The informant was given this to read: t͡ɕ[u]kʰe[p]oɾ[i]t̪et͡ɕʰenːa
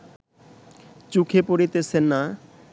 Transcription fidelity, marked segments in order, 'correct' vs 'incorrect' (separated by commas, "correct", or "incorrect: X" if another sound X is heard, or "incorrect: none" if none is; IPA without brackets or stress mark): correct, correct, correct